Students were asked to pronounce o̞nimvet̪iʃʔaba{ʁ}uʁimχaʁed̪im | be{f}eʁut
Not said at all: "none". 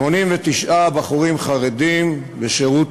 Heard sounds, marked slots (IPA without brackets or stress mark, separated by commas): χ, ʃ